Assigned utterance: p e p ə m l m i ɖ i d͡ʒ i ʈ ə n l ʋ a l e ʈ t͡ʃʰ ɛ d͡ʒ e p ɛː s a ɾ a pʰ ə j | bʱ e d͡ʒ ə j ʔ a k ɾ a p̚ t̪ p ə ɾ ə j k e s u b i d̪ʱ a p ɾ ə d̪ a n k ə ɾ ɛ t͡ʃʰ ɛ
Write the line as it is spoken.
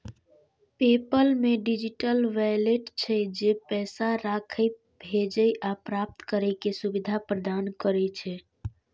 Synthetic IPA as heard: p e p ə l m e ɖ i d͡ʒ i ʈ ə l ʋ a l e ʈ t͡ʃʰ ɛ d͡ʒ e p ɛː s a ɾ a kʰ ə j | bʱ e d͡ʒ ə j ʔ a p ɾ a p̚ t̪ k ə ɾ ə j k e s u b i d̪ʱ a p ɾ ə d̪ a n k ə ɾ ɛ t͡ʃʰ ɛ